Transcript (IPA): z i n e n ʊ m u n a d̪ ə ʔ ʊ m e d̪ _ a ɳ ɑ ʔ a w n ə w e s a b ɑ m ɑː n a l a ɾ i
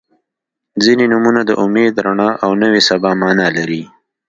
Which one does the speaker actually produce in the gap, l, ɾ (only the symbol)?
ɾ